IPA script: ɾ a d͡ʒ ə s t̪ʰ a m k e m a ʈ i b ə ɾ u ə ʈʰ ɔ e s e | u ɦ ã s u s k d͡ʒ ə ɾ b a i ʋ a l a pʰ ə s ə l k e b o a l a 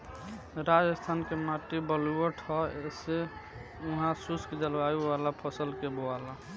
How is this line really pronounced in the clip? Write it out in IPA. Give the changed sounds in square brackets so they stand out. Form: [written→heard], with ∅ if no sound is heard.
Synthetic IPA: ɾ a d͡ʒ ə s t̪ʰ a [m→n] k e m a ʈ i b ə [ɾ→l] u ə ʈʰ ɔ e s e | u ɦ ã s u s k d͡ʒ ə [ɾ→l] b a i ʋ a l a pʰ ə s ə l k e b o a l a